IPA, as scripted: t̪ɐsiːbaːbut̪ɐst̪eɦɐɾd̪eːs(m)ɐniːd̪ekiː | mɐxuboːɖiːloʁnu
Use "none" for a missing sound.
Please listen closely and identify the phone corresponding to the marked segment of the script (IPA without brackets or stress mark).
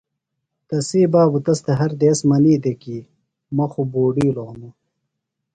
m